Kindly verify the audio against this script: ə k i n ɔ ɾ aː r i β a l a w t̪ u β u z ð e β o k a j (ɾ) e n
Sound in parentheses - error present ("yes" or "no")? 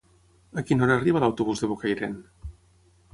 no